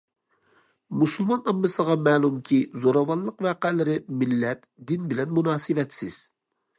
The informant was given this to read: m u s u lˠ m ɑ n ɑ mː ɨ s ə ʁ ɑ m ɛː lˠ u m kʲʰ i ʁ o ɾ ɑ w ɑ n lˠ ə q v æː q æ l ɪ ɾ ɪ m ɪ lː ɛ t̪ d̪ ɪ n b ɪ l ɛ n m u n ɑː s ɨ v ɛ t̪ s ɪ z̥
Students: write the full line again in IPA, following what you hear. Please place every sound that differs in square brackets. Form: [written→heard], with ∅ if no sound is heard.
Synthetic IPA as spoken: m u s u lˠ m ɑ n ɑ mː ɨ s ə ʁ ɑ m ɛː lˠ u m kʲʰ i [ʁ→z] o ɾ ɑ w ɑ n lˠ ə q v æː q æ l ɪ ɾ ɪ m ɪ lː ɛ t̪ d̪ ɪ n b ɪ l ɛ n m u n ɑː s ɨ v ɛ t̪ s ɪ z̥